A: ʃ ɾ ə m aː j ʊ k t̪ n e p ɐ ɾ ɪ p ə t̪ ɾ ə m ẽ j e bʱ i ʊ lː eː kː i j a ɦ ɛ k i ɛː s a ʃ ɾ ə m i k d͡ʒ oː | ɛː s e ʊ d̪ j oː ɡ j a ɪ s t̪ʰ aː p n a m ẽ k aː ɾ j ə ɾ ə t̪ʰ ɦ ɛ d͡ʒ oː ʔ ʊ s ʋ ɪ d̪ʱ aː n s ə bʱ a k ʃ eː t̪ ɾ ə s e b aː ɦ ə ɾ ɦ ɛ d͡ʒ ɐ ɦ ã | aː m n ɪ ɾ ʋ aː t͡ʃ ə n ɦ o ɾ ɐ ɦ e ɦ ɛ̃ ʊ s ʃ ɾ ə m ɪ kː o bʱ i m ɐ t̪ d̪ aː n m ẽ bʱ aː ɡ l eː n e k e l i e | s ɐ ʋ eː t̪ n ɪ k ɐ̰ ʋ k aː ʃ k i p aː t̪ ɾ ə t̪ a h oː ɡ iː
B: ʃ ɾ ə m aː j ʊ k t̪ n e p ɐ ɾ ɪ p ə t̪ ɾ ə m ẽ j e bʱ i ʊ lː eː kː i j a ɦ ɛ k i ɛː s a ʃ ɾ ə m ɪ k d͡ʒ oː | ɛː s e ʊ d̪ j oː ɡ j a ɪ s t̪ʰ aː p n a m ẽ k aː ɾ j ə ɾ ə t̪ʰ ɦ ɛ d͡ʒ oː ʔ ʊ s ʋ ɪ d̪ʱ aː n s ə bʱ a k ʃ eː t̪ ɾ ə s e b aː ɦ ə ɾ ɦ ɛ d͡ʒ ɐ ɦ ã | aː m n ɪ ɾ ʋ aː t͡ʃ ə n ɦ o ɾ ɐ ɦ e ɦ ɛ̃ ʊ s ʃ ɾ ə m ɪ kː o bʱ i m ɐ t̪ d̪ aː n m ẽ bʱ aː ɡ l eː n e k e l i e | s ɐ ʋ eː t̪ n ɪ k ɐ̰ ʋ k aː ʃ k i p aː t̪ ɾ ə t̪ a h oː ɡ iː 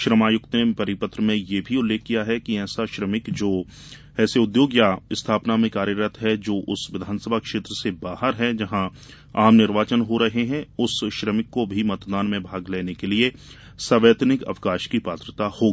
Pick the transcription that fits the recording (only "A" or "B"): B